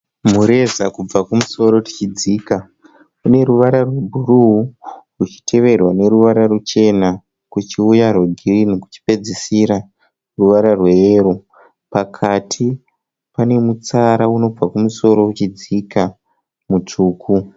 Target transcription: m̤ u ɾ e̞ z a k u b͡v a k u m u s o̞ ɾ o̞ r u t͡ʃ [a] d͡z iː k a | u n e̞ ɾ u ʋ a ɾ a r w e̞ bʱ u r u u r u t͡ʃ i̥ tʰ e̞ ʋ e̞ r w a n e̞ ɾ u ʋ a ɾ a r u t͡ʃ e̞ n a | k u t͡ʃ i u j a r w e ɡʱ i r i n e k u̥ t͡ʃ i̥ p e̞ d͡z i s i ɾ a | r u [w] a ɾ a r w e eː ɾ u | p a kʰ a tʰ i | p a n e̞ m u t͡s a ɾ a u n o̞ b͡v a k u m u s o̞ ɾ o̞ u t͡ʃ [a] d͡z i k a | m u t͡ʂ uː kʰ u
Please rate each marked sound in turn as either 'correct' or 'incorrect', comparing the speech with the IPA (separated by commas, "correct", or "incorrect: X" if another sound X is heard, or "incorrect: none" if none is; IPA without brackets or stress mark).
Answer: incorrect: i, incorrect: ʋ, incorrect: i